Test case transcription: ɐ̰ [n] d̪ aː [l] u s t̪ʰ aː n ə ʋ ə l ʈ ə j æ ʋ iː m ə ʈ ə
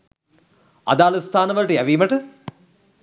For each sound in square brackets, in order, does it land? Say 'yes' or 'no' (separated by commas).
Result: no, yes